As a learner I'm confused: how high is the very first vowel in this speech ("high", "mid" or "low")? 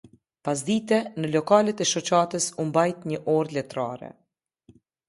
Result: low